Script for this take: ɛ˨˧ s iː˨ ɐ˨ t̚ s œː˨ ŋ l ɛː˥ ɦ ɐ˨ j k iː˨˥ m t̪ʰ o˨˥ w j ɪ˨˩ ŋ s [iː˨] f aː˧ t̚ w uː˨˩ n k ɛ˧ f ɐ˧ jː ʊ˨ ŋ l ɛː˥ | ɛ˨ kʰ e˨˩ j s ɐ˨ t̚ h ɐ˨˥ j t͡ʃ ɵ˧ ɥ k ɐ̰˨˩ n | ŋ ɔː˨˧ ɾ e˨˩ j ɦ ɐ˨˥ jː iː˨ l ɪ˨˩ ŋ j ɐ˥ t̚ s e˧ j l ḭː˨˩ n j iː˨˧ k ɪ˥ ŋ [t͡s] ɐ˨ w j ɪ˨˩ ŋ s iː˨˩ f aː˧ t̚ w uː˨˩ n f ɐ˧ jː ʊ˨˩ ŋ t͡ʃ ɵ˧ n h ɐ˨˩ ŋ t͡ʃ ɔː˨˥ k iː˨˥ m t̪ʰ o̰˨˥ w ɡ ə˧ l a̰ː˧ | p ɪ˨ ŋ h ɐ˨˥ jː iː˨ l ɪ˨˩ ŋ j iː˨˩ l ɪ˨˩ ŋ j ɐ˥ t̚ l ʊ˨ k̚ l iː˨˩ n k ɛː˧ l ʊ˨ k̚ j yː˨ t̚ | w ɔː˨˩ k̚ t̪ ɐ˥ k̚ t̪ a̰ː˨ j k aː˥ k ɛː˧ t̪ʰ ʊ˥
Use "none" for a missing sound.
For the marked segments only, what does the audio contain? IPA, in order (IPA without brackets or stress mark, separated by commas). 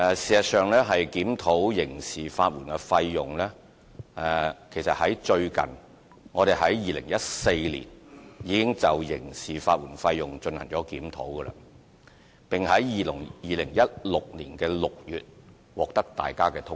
iː˨, t͡s